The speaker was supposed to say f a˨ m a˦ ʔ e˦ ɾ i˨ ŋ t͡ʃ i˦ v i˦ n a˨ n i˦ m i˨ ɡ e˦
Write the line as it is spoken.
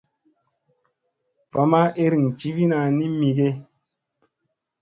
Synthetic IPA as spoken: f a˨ m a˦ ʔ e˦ ɾ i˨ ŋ t͡ʃ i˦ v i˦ n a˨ n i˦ m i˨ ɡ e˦